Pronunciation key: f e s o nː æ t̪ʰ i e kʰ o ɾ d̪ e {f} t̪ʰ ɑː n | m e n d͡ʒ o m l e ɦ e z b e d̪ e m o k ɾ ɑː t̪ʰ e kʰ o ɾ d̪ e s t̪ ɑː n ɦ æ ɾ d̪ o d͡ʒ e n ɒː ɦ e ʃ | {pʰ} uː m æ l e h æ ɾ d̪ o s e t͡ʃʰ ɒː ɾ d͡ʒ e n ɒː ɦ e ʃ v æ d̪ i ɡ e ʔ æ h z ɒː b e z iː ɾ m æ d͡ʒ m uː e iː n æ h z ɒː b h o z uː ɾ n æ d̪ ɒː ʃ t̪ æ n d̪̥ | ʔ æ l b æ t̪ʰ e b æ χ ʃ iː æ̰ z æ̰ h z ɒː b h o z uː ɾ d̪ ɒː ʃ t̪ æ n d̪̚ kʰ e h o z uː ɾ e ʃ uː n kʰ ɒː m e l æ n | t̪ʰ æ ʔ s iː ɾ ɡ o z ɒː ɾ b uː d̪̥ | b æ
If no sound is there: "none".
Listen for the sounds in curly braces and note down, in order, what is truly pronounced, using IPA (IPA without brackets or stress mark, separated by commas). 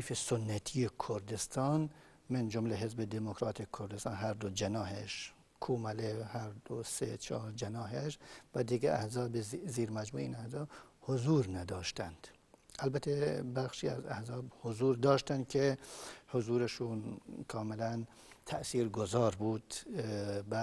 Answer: s, kʰ